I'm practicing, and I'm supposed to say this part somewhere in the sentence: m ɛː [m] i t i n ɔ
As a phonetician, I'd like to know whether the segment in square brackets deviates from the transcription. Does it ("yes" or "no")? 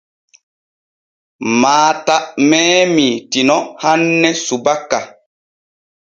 no